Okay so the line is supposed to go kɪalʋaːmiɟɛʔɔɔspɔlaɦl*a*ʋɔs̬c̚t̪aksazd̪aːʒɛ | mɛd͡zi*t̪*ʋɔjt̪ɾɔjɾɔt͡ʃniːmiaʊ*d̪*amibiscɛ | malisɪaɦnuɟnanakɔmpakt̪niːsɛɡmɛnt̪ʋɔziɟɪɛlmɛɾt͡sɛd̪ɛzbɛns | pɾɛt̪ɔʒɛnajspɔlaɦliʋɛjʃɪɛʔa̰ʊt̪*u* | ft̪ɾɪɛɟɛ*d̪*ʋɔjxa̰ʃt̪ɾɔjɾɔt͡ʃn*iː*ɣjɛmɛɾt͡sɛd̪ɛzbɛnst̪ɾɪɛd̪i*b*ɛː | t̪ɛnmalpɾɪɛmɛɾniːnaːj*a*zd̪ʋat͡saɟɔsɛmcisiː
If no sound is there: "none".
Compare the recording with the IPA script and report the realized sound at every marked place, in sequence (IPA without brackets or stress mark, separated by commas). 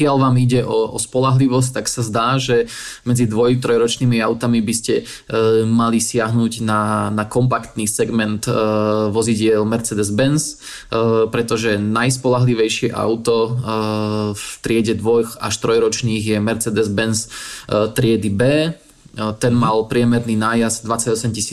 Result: i, d̪, t̪, ɔ, d̪, iː, b, a